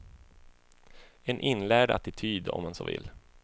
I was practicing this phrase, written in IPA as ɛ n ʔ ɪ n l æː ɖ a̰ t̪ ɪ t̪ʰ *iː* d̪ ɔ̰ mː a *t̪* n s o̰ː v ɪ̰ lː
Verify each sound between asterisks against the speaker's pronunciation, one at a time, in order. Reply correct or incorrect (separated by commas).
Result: incorrect, incorrect